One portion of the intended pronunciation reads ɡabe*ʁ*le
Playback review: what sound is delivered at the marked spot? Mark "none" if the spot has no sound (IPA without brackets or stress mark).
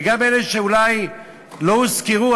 none